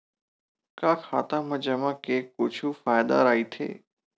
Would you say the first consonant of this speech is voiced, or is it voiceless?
voiceless